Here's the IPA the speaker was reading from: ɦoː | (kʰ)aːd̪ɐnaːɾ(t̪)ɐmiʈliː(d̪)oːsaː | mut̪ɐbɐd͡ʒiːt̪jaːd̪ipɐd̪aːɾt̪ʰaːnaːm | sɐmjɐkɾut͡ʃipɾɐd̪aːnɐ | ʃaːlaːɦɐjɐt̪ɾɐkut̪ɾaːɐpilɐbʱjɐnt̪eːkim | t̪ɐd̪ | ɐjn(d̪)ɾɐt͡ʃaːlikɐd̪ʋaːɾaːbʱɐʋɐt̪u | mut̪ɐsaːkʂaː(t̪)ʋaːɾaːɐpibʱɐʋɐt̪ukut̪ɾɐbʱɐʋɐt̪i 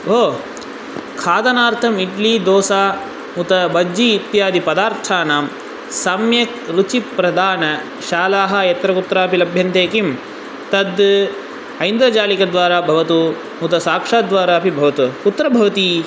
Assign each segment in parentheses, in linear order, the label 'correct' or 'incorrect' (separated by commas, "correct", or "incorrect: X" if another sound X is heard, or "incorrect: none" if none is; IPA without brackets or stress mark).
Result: correct, incorrect: t̪ʰ, correct, correct, incorrect: d̪